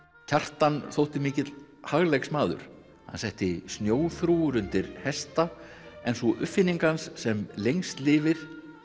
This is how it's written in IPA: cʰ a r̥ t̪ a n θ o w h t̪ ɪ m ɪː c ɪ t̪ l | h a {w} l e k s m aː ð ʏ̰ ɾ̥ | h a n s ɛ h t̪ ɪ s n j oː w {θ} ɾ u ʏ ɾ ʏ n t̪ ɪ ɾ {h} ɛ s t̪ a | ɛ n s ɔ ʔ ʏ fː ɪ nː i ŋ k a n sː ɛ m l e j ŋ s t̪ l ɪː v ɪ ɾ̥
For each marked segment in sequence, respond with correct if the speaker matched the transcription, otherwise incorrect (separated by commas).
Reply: incorrect, correct, correct